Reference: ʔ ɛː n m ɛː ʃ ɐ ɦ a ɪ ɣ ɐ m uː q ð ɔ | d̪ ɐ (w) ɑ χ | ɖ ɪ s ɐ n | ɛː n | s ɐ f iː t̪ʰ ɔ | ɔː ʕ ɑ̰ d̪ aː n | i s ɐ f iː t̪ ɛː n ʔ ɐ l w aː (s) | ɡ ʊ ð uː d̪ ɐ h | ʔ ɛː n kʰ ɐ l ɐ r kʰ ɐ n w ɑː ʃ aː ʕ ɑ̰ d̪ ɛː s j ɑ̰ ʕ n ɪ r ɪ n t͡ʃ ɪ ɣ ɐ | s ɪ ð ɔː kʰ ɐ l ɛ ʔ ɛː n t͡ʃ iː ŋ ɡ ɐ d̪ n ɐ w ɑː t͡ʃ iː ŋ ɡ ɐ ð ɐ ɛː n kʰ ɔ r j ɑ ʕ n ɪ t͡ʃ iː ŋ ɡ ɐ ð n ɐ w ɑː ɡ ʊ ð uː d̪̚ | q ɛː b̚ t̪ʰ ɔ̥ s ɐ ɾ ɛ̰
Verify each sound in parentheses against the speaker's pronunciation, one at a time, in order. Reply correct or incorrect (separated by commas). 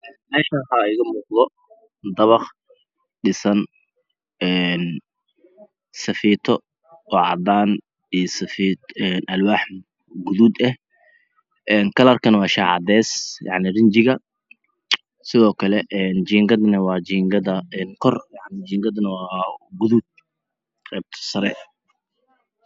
incorrect, incorrect